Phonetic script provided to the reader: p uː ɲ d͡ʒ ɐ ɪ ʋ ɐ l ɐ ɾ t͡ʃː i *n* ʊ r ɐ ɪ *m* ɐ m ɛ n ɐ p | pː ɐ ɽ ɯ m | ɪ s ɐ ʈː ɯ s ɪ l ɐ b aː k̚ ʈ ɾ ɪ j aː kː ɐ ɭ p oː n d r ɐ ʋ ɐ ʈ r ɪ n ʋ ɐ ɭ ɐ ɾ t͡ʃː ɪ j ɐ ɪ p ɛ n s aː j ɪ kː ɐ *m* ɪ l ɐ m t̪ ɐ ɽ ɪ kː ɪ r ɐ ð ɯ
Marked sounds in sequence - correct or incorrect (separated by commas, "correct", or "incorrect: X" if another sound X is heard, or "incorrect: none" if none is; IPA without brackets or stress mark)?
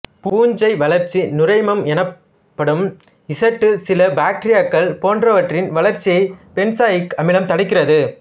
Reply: correct, correct, correct